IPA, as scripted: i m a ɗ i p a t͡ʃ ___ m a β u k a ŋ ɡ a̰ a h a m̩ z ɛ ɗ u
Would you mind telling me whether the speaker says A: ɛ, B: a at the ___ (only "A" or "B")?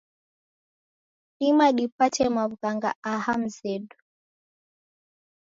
A